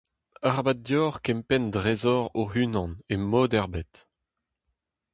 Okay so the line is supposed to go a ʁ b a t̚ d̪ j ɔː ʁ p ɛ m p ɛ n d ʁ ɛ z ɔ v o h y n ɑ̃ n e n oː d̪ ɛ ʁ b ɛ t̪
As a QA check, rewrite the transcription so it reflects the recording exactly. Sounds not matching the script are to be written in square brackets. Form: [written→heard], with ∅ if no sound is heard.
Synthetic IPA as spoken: a ʁ b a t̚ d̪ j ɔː ʁ [p→k] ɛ m p ɛ n d ʁ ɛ z ɔ [v→ʁ] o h y n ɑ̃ n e [n→m] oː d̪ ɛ ʁ b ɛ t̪